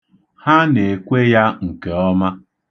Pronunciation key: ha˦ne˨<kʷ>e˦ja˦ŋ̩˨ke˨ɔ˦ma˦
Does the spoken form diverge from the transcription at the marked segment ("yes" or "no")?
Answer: no